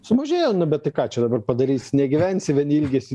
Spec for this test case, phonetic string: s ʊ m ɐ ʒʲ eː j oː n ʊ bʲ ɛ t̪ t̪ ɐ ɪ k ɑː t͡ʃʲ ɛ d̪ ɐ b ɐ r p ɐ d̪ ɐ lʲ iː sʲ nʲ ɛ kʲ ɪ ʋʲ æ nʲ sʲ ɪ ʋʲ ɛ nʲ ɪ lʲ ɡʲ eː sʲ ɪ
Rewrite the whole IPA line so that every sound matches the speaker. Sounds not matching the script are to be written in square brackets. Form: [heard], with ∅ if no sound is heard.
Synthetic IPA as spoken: s ʊ m ɐ ʒʲ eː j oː n ʊ bʲ ɛ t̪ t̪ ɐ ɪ k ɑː t͡ʃʲ ɛ d̪ ɐ b ɐ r p ɐ d̪ ɐ [ɾʲ] iː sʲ nʲ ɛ [ɡʲ] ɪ ʋʲ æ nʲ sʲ ɪ ʋʲ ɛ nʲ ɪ lʲ ɡʲ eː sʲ ɪ

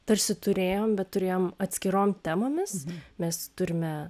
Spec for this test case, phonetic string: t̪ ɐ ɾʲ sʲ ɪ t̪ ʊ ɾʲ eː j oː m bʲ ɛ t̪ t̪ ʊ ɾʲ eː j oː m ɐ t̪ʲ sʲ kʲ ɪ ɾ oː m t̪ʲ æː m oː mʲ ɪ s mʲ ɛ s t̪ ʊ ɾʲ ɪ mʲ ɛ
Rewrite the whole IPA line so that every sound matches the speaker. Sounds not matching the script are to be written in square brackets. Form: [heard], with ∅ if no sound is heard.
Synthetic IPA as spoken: t̪ ɐ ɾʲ sʲ ɪ t̪ ʊ ɾʲ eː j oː m bʲ ɛ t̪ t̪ ʊ ɾʲ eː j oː m ɐ t̪ʲ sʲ kʲ ɪ ɾ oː m t̪ʲ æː m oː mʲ ɪ s mʲ ɛ s t̪ ʊ ɾʲ ɪ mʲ ɛ

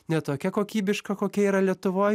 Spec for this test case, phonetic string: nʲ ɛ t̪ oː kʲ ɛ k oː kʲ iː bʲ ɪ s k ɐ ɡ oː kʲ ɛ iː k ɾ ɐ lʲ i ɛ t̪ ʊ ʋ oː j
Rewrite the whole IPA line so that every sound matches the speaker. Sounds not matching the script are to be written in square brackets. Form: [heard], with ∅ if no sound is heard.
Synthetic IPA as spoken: nʲ ɛ t̪ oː kʲ ɛ k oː kʲ iː bʲ ɪ [ʃ] k ɐ [k] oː kʲ ɛ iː [∅] ɾ ɐ lʲ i ɛ t̪ ʊ ʋ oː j

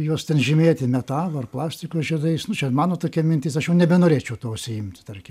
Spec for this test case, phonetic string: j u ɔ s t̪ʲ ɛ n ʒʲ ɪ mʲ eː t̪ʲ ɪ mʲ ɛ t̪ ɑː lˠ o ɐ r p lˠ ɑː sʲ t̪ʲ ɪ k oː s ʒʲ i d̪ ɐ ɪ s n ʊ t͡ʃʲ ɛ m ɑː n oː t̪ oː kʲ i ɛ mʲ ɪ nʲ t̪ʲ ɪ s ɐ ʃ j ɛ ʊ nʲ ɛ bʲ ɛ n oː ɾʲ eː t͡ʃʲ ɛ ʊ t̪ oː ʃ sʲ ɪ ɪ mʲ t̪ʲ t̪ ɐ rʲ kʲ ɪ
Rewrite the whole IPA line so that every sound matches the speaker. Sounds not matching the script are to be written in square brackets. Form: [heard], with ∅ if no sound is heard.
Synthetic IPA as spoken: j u ɔ s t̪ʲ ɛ n ʒʲ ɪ mʲ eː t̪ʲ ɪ mʲ ɛ t̪ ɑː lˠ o ɐ r p lˠ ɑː sʲ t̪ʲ ɪ k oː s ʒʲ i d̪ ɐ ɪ s n ʊ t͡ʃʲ ɛ m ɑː n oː t̪ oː kʲ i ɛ mʲ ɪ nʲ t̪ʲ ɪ s ɐ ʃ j ɛ ʊ nʲ ɛ bʲ ɛ n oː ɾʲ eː t͡ʃʲ ɛ ʊ t̪ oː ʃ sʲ ɪ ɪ mʲ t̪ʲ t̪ ɐ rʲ kʲ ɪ

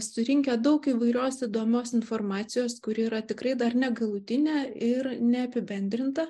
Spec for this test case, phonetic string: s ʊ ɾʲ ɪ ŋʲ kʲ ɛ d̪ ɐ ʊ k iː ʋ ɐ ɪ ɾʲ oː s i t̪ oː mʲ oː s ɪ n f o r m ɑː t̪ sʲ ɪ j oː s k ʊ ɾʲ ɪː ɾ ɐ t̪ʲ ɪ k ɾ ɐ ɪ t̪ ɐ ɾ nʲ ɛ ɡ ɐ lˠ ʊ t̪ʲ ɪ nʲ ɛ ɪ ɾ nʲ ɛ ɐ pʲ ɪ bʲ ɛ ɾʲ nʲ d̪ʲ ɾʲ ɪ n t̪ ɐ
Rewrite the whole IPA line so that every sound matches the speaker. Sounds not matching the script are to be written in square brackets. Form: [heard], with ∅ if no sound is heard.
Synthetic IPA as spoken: s ʊ ɾʲ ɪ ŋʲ kʲ ɛ d̪ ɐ ʊ k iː ʋ ɐ ɪ ɾʲ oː s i [d̪] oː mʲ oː s ɪ n f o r m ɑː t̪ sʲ ɪ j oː s k ʊ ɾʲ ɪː ɾ ɐ t̪ʲ ɪ k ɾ ɐ ɪ [d̪] ɐ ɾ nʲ ɛ ɡ ɐ lˠ ʊ t̪ʲ ɪ nʲ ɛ ɪ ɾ nʲ ɛ ɐ pʲ ɪ bʲ ɛ [∅] nʲ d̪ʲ ɾʲ ɪ n t̪ ɐ

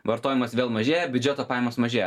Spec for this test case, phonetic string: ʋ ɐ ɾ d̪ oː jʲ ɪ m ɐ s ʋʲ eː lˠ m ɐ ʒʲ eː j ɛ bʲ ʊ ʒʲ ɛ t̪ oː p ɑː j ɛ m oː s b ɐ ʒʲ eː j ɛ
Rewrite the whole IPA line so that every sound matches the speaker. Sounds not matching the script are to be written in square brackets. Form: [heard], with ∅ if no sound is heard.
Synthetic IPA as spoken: ʋ ɐ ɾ [t̪] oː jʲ ɪ m ɐ s ʋʲ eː lˠ m ɐ ʒʲ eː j ɛ bʲ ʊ [d͡ʒʲ] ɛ t̪ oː p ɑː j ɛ m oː s [m] ɐ ʒʲ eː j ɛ

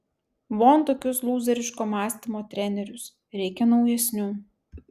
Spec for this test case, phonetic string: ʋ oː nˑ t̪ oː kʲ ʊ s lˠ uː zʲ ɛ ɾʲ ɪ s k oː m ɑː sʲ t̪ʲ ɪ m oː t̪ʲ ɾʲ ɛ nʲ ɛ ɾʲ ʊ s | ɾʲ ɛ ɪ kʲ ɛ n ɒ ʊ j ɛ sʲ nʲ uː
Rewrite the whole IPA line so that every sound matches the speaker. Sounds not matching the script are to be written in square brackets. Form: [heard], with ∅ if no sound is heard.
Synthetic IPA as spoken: ʋ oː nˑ t̪ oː kʲ ʊ s lˠ uː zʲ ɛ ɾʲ ɪ [ʃ] k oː m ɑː sʲ t̪ʲ ɪ m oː t̪ʲ ɾʲ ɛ nʲ ɛ ɾʲ ʊ s | ɾʲ ɛ ɪ kʲ ɛ n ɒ ʊ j ɛ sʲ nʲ uː

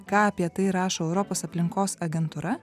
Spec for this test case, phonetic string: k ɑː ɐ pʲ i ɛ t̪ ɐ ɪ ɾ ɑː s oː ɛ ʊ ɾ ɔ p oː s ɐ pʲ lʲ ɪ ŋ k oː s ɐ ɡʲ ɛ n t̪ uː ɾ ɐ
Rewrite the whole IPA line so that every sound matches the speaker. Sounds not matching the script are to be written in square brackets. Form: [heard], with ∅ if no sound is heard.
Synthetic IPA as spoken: k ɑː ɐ pʲ i ɛ t̪ ɐ ɪ ɾ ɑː [ʃ] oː ɛ ʊ ɾ ɔ p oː s ɐ pʲ lʲ ɪ ŋ k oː s ɐ ɡʲ ɛ n t̪ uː ɾ ɐ

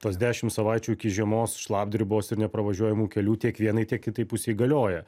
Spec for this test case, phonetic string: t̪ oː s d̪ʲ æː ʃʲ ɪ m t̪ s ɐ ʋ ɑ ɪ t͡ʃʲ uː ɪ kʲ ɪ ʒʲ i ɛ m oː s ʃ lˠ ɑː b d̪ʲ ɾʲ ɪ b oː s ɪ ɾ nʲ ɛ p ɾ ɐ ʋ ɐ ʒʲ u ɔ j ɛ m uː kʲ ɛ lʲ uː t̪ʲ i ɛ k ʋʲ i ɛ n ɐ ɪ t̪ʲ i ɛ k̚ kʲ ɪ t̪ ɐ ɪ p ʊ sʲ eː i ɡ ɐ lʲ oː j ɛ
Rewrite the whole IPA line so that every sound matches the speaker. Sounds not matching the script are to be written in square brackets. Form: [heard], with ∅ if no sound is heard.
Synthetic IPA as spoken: t̪ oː s d̪ʲ æː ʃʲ ɪ m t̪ s ɐ ʋ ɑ ɪ t͡ʃʲ uː ɪ kʲ ɪ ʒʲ i ɛ m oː s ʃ lˠ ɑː b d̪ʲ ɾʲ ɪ b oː s ɪ ɾ nʲ ɛ p ɾ ɐ ʋ ɐ ʒʲ u ɔ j ɛ m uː kʲ ɛ lʲ uː t̪ʲ i ɛ k ʋʲ i ɛ n ɐ ɪ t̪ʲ i ɛ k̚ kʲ ɪ t̪ ɐ ɪ p ʊ sʲ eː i ɡ ɐ lʲ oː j ɛ

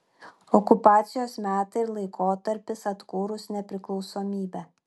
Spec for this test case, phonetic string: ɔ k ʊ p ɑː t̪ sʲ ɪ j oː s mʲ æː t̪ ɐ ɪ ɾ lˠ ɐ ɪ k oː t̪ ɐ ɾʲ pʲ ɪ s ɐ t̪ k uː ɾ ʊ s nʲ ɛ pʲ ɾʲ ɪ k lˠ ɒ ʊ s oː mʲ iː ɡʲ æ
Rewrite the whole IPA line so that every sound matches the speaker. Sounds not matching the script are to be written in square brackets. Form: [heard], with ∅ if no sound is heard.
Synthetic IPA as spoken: ɔ k ʊ p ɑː t̪ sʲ ɪ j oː s mʲ æː t̪ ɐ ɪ ɾ lˠ ɐ ɪ k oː t̪ ɐ ɾʲ pʲ ɪ s ɐ t̪ k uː ɾ ʊ s nʲ ɛ pʲ ɾʲ ɪ k lˠ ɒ ʊ s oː mʲ iː [bʲ] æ

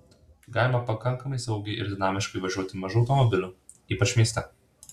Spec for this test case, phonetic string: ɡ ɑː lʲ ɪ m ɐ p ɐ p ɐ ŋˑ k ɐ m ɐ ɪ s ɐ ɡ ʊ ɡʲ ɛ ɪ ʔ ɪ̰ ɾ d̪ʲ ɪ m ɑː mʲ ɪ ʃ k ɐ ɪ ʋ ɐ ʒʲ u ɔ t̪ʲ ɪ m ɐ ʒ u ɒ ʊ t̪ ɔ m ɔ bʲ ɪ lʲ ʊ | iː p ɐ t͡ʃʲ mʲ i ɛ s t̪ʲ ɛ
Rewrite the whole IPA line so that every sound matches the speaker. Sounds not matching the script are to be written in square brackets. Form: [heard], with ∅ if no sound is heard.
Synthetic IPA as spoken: ɡ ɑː lʲ ɪ m ɐ p ɐ [k] ɐ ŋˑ k ɐ m ɐ ɪ s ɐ [∅] ʊ ɡʲ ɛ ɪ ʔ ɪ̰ ɾ d̪ʲ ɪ [n] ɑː mʲ ɪ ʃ k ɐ ɪ ʋ ɐ ʒʲ u ɔ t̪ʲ ɪ m ɐ ʒ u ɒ ʊ t̪ ɔ m ɔ bʲ ɪ lʲ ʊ | iː p ɐ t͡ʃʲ mʲ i ɛ s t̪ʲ ɛ

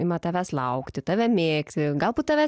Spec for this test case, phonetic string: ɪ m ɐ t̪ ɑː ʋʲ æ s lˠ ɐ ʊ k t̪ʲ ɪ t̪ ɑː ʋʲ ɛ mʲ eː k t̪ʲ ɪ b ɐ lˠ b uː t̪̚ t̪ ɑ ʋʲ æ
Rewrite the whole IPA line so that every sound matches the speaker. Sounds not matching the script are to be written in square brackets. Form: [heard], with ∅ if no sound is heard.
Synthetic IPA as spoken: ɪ m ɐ t̪ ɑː ʋʲ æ s lˠ ɐ ʊ k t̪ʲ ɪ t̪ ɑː ʋʲ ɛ mʲ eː k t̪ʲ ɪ [ɡ] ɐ lˠ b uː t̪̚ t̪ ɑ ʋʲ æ

